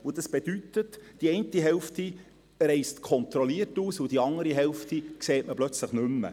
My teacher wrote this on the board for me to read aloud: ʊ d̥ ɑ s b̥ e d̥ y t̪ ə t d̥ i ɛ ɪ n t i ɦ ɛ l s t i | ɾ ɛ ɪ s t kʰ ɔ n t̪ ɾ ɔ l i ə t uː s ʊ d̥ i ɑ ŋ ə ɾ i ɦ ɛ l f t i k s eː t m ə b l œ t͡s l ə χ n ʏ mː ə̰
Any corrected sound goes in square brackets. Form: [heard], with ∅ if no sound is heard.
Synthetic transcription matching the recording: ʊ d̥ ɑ s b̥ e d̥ y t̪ ə t d̥ i ɛ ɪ n t i ɦ ɛ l [f] t i | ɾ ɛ ɪ s t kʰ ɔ n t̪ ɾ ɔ l i ə t uː s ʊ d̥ i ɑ ŋ ə ɾ i ɦ ɛ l f t i k s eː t m ə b l œ t͡s l ə χ n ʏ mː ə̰